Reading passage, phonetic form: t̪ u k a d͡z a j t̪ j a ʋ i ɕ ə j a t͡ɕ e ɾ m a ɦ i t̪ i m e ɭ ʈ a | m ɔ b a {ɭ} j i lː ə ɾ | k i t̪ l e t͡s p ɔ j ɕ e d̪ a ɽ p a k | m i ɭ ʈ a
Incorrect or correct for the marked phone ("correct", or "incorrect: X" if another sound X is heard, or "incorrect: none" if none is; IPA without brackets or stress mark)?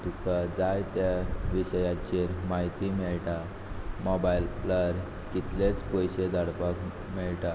incorrect: none